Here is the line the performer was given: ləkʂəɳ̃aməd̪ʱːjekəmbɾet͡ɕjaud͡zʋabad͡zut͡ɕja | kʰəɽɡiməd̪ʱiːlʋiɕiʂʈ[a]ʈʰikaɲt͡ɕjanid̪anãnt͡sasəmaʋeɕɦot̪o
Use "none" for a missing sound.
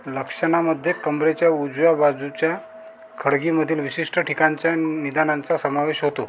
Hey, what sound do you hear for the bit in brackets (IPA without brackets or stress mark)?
ə